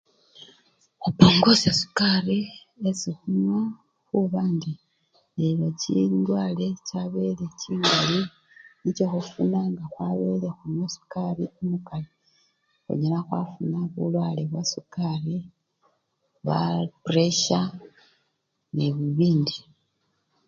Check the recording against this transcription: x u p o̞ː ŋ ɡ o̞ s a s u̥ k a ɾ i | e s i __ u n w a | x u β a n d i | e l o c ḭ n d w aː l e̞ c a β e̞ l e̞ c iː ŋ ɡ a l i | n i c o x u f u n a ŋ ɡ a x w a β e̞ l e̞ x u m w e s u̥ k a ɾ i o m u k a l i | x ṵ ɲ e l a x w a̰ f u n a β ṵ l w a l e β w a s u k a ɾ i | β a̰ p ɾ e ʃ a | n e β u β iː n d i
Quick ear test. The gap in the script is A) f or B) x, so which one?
B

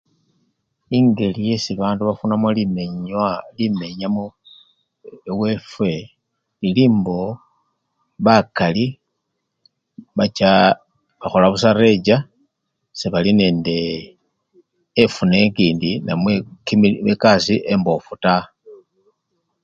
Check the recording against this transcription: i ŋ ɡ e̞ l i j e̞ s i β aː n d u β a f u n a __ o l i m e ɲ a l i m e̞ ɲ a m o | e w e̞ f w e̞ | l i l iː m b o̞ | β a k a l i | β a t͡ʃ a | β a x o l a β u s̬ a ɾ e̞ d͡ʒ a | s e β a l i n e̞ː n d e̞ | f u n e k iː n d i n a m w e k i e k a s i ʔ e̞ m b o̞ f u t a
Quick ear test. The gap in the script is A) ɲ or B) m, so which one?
B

